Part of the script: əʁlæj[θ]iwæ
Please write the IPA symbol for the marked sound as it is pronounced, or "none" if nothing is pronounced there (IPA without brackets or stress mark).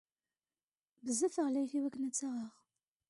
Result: θ